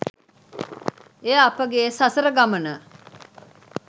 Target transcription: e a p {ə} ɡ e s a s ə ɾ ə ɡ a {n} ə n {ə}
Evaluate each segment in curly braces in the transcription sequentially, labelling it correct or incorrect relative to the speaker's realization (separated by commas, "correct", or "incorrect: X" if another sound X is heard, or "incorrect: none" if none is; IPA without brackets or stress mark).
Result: correct, incorrect: m, correct